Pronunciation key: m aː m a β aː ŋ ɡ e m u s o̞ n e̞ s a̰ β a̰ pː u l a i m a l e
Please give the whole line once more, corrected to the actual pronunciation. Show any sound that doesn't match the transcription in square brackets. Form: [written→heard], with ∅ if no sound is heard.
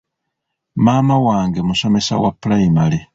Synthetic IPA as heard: m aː m a [β→w] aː ŋ ɡ e m u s o̞ [n→m] e̞ s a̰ [β→w] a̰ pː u l a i m a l e